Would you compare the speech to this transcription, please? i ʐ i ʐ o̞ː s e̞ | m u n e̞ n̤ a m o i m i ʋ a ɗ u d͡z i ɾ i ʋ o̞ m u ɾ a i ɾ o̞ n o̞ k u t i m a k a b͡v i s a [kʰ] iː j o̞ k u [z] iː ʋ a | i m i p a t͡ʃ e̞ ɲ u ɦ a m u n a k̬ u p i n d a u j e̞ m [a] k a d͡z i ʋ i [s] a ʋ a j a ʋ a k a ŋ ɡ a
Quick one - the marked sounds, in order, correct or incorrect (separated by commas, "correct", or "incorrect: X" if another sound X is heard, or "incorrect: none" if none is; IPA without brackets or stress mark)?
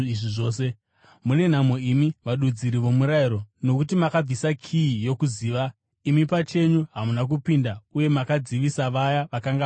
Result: correct, correct, correct, correct